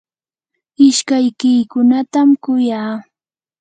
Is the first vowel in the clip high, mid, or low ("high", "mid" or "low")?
high